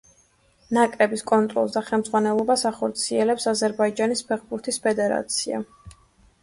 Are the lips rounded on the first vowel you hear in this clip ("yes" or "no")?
no